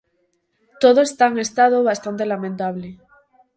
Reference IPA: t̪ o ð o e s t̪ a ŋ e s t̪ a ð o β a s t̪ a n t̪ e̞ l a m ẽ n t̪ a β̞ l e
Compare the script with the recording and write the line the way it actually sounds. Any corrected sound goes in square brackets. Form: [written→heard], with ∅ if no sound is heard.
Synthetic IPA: t̪ o ð o e s t̪ a ŋ e s t̪ a ð o β a s t̪ a n t̪ e̞ l a m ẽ n t̪ a β̞ l e

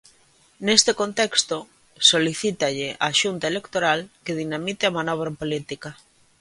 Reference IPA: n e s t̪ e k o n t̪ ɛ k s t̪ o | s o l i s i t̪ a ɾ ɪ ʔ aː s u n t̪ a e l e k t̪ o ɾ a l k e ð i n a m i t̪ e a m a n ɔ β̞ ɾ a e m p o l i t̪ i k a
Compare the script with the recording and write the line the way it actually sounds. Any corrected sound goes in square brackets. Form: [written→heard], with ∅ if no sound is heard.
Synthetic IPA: n e s t̪ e k o n t̪ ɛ k s t̪ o | s o l i [s→θ] i t̪ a [ɾ→ʎ] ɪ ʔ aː [s→ʃ] u n t̪ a e l e k t̪ o ɾ a l k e ð i n a m i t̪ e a m a n ɔ β̞ ɾ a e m p o l i t̪ i k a

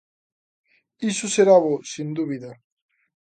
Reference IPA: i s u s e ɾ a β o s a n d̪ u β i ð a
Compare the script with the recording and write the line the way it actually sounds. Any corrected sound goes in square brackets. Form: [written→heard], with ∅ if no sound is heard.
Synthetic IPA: i s u s e ɾ a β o s [a→i] n d̪ u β i ð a

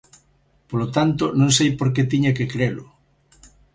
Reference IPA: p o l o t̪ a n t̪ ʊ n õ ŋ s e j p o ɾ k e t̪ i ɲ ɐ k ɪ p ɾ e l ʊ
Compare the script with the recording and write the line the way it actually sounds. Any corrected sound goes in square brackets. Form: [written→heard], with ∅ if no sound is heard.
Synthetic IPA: p o l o t̪ a n t̪ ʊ n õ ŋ s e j p o ɾ k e t̪ i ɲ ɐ k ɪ [p→k] ɾ e l ʊ

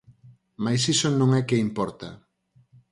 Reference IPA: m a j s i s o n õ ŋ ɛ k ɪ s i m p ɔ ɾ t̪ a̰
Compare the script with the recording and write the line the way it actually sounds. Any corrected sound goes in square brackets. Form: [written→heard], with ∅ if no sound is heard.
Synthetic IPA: m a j s i s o n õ ŋ ɛ k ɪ [s→∅] i m p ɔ ɾ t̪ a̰

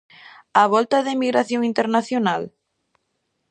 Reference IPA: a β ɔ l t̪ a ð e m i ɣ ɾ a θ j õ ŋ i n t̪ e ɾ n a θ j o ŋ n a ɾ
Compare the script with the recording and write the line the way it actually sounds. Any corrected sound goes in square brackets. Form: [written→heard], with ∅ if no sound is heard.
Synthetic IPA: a β ɔ l t̪ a ð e m i ɣ ɾ a θ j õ ŋ i n t̪ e ɾ n a θ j o [ŋ→∅] n a [ɾ→l]

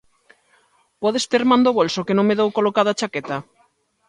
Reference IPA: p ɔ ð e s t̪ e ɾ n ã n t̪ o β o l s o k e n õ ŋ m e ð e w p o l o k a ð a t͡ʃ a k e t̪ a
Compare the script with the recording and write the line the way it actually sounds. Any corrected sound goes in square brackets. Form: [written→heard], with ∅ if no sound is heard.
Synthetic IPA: p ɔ ð e s t̪ e ɾ [n→m] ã n [t̪→d̪] o β o l s o k e n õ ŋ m e ð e w [p→k] o l o k a ð a t͡ʃ a k e t̪ a

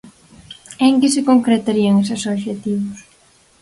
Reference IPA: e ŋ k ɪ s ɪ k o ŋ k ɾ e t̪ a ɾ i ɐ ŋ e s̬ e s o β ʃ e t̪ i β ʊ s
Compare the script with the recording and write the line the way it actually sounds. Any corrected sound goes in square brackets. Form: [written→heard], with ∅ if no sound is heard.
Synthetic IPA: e ŋ k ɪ s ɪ k o ŋ k ɾ e t̪ a ɾ i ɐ ŋ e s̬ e s o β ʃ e t̪ i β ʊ s

